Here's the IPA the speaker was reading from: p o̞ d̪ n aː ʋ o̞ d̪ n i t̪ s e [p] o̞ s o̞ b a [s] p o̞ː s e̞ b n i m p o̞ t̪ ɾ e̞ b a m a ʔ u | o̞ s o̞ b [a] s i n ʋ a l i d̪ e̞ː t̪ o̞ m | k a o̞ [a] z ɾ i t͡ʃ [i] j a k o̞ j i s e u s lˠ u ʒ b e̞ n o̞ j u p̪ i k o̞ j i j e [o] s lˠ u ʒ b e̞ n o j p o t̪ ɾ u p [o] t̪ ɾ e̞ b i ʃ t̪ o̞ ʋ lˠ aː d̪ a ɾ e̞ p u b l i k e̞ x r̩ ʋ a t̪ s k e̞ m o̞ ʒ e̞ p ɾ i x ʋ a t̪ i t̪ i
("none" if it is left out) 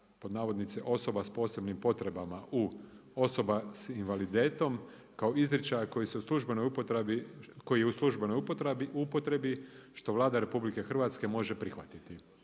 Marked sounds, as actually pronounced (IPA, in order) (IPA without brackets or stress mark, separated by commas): ʔ, s, a, i, a, u, o